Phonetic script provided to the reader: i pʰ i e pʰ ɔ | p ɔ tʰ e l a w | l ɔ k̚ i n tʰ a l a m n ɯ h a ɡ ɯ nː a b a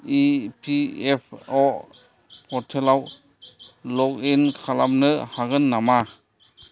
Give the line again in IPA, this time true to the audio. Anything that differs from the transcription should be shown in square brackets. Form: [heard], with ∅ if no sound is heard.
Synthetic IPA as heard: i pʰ i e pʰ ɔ | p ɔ tʰ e l a w | l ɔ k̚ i n [kʰ] a l a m n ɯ h a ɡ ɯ nː a [m] a